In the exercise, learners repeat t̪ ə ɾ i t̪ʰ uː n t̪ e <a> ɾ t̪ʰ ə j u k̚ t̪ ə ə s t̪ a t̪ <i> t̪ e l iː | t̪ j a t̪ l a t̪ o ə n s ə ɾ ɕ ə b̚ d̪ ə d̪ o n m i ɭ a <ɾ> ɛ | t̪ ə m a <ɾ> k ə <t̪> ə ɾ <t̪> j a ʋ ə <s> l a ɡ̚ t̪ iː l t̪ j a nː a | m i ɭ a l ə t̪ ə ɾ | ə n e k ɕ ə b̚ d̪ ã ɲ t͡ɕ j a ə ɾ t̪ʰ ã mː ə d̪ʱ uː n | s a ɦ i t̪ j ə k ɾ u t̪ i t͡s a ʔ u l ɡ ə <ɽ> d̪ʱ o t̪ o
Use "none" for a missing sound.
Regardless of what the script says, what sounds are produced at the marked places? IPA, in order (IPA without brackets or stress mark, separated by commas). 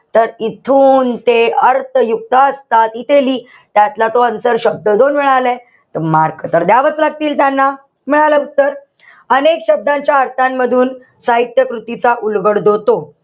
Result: ə, i, l, ɾ, t̪, d̪, t͡s, ɽ